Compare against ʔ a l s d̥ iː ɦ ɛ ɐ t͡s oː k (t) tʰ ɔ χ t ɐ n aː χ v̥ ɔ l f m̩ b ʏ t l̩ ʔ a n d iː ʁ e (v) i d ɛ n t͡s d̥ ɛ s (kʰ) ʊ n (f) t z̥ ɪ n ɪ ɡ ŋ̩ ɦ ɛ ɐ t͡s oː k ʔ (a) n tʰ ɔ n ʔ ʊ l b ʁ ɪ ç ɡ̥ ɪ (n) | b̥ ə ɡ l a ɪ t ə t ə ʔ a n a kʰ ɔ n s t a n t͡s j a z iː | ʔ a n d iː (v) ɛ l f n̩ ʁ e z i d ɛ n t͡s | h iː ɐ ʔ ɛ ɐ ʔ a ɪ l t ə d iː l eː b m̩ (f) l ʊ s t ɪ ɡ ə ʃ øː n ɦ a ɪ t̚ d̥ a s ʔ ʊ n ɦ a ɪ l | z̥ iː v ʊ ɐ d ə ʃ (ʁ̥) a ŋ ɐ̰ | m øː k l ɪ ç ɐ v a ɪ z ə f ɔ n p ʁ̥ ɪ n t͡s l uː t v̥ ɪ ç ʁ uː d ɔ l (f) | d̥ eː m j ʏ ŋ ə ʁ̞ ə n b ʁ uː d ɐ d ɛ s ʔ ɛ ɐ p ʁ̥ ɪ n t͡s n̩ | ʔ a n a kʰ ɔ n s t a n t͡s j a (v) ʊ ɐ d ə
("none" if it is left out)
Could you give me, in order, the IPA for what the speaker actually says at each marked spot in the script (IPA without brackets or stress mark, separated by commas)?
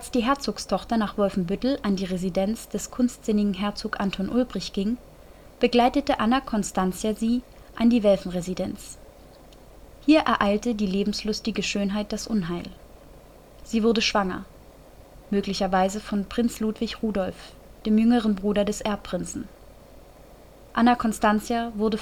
s, z, kʰ, s, a, ŋ, v, s, v̥, f, v